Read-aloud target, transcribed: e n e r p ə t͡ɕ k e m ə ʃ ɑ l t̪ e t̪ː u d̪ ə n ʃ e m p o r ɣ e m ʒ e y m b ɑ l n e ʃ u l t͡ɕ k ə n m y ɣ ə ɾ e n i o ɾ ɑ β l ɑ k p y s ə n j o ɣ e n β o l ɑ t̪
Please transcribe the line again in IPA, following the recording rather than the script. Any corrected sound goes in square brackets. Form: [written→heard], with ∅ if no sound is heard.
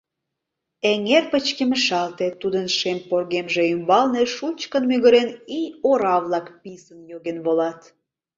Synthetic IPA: e [n→ŋ] e r p ə t͡ɕ k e m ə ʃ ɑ l t̪ e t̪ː u d̪ ə n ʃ e m p o r ɣ e m ʒ e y m b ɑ l n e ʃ u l t͡ɕ k ə n m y ɣ ə ɾ e n i o ɾ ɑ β l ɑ k p [y→i] s ə n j o ɣ e n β o l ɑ t̪